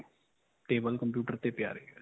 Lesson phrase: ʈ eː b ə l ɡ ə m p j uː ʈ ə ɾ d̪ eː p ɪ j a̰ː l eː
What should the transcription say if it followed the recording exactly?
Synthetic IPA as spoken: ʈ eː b ə l k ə m p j uː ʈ ə ɾ t̪ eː p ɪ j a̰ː ɾ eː